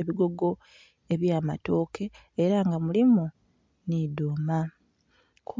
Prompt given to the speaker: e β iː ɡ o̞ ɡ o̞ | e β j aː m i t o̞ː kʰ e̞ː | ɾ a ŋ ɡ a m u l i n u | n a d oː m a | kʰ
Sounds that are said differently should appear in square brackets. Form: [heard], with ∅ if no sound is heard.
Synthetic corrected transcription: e β [i] ɡ o̞ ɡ o̞ | e β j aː m [a] t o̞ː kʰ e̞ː | ɾ a ŋ ɡ a m u l i [m] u | n [i] d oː m a | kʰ